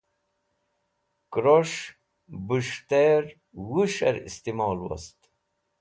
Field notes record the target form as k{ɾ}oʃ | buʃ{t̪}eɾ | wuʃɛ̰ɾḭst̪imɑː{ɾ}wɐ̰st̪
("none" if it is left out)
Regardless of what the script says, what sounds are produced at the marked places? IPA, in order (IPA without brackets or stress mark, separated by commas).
ɾ, t̪, l